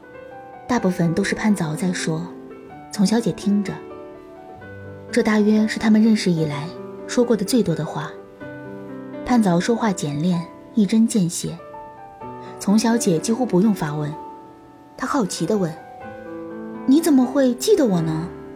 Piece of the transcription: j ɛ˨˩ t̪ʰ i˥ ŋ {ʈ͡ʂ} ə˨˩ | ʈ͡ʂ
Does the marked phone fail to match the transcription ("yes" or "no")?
no